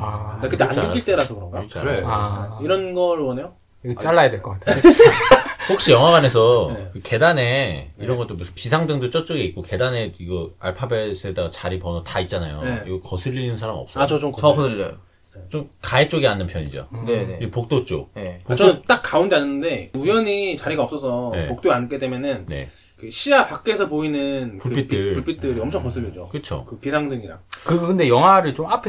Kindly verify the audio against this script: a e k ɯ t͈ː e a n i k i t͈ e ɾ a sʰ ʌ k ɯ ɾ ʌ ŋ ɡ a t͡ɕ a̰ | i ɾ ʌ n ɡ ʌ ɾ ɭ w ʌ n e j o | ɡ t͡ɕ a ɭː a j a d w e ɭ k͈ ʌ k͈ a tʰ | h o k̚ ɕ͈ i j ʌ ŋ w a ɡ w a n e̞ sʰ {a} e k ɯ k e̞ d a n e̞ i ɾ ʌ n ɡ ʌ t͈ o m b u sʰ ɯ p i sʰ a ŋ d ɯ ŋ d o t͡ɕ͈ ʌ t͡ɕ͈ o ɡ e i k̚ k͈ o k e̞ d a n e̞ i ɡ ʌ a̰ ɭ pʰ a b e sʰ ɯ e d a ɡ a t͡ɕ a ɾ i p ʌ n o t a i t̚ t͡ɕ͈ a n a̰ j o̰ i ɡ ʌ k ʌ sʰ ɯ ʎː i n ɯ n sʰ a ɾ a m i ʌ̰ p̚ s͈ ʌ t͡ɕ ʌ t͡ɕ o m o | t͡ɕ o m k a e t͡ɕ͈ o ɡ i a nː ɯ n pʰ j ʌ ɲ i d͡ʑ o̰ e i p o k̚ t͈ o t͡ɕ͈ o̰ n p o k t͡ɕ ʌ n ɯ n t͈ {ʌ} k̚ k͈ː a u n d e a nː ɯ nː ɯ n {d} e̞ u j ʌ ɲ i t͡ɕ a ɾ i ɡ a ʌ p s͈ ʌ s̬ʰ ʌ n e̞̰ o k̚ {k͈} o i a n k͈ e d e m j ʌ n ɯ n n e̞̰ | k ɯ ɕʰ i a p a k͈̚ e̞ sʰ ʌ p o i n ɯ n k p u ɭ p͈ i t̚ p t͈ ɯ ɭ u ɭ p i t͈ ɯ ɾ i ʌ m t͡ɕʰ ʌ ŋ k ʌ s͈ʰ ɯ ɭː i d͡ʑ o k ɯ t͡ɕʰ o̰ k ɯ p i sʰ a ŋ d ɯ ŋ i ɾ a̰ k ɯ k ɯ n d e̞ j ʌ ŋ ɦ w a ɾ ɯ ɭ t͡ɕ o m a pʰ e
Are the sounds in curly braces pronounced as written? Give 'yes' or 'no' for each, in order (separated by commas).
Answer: no, no, yes, no